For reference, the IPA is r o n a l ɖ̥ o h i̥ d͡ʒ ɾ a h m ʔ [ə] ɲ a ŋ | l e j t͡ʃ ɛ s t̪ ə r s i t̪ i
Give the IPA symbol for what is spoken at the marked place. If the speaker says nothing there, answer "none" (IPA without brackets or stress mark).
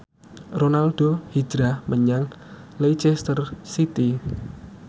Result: ə